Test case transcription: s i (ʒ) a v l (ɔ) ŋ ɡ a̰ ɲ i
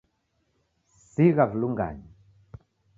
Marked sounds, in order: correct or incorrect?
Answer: incorrect: ɣ, incorrect: u

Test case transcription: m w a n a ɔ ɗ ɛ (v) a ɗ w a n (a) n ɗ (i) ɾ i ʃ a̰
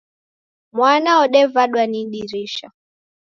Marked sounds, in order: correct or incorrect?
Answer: correct, incorrect: i, correct

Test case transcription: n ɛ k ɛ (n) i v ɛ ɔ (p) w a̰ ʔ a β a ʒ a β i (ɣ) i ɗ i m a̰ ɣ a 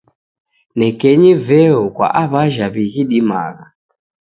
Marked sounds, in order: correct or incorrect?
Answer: incorrect: ɲ, incorrect: k, correct

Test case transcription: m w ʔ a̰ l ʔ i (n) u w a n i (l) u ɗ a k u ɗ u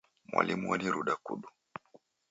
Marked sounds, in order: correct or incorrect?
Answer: incorrect: m, incorrect: ɾ

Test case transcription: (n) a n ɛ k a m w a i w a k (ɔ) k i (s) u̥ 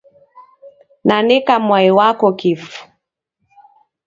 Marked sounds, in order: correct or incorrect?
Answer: correct, correct, incorrect: f

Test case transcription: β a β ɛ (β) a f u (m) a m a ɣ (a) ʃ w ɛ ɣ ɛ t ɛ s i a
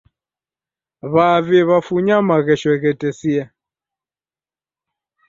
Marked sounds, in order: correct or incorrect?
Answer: correct, incorrect: ɲ, incorrect: ɛ

